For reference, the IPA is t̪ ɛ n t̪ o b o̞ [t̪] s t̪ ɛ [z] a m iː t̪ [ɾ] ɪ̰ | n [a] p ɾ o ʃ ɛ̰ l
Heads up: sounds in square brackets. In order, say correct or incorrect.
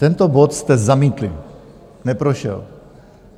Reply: correct, correct, incorrect: l, incorrect: ɛ

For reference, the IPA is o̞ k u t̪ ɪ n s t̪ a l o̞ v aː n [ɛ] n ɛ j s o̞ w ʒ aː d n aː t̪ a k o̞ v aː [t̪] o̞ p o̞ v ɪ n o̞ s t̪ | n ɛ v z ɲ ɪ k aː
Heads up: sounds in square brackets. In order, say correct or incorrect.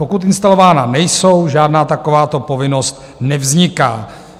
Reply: incorrect: a, correct

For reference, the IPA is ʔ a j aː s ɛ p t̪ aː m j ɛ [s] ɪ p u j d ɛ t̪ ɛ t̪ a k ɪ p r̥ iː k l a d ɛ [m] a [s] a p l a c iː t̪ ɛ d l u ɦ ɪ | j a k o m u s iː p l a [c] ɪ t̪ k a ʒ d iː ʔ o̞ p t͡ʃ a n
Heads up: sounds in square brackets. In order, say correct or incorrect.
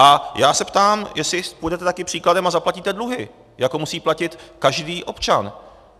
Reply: correct, correct, incorrect: z, correct

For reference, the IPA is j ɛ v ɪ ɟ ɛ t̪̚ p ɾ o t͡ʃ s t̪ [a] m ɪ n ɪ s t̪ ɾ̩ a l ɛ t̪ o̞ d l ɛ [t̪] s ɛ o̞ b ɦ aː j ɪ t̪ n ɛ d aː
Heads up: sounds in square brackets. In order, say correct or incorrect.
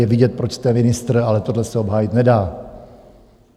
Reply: incorrect: ɛ, incorrect: none

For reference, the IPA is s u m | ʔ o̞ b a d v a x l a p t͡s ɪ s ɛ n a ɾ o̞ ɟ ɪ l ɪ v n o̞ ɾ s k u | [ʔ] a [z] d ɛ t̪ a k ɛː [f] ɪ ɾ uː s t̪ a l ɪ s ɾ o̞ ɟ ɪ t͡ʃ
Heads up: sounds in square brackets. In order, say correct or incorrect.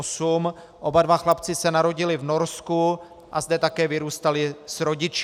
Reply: correct, correct, incorrect: v

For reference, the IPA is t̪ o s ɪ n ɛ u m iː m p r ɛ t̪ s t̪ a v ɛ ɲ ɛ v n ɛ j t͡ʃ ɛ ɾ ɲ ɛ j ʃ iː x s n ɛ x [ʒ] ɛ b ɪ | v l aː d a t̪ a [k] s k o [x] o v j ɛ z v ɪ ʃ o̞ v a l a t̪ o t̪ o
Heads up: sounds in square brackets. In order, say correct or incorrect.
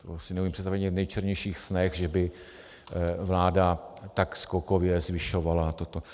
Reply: correct, correct, incorrect: k

